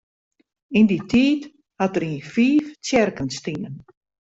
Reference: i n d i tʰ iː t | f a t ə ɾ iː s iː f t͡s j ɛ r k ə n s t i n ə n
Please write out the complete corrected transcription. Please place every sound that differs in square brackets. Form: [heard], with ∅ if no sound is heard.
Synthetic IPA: i n d i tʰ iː t | [h] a t ə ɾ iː [f] iː f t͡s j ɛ r k ə n s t i n ə n